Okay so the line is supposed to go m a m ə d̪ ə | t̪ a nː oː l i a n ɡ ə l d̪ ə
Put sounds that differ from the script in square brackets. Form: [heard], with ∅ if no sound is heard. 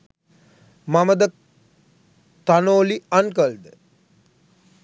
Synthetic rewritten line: m a m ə d̪ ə | t̪ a [n] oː l i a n [k] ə l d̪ ə